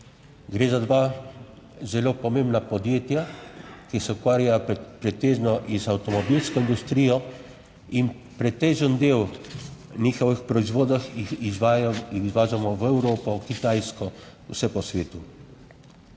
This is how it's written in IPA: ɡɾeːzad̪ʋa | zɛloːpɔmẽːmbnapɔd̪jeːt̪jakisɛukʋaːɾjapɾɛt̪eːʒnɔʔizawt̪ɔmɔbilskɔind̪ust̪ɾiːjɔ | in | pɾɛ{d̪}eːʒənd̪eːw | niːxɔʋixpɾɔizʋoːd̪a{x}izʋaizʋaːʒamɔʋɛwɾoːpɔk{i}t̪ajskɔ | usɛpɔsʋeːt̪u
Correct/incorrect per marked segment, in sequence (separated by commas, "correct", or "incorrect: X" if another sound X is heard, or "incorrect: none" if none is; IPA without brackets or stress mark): incorrect: t̪, correct, correct